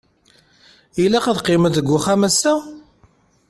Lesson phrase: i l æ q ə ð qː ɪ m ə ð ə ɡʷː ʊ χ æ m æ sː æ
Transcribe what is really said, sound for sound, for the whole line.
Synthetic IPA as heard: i l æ q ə ð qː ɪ m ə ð ə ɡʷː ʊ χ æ m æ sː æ